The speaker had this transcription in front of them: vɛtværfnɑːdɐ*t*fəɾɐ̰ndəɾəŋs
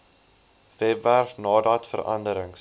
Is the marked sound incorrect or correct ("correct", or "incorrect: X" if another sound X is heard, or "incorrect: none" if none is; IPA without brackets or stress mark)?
correct